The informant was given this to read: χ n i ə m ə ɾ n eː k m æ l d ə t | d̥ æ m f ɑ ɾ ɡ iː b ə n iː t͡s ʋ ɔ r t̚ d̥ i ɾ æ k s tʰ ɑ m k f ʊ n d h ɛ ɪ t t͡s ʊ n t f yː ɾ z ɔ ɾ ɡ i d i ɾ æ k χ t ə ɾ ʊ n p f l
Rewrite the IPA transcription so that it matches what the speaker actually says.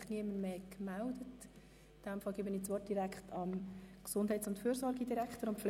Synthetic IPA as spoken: χ n i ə m ə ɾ m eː k m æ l d ə t | d̥ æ m f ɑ l ɡ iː b ə n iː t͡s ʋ ɔ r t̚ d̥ i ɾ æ k χ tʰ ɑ m k s ʊ n d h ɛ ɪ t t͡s ʊ n t f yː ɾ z ɔ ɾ ɡ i d i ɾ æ k χ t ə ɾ ʊ n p f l